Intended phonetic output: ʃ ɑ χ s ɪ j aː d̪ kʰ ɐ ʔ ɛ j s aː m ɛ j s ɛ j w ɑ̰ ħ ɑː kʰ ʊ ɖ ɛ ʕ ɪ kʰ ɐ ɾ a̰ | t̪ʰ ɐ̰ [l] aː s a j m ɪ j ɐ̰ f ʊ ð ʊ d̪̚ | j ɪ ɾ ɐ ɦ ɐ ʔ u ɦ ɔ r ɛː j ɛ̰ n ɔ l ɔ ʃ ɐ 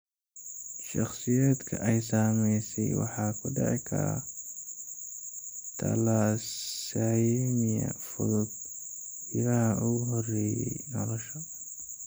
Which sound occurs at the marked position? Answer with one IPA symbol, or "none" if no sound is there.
l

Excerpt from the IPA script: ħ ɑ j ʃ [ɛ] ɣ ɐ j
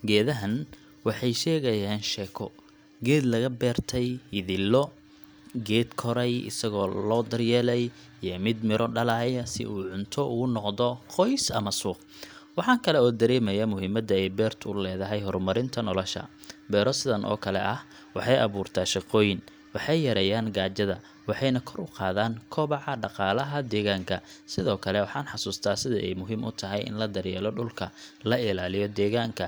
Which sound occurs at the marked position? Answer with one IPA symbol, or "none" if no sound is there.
ɛː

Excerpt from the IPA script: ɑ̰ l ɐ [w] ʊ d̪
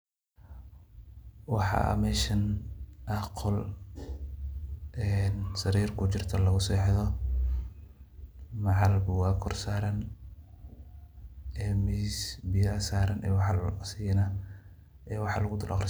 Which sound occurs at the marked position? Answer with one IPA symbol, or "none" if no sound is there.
ɣ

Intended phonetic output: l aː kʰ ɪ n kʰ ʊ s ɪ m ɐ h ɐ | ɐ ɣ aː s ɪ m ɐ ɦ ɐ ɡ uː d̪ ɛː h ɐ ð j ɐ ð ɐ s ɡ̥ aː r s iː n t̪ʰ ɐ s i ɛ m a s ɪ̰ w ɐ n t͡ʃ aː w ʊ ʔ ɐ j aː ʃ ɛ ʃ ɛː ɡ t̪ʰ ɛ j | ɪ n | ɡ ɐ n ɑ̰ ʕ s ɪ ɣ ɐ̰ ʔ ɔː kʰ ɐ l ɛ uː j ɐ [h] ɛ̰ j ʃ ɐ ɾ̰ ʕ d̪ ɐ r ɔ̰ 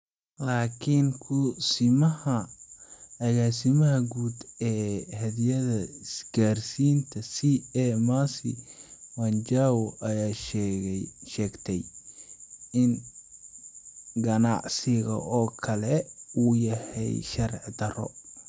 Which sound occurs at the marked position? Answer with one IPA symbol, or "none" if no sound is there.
h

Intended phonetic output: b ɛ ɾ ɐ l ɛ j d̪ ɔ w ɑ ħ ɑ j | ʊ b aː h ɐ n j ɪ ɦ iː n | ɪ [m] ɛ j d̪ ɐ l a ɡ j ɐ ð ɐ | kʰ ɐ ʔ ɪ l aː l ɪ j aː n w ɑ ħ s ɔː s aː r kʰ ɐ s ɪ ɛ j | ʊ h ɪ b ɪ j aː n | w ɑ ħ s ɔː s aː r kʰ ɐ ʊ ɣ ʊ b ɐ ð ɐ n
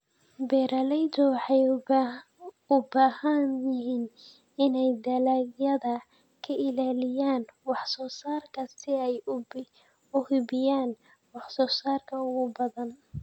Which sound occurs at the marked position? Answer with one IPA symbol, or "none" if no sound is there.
n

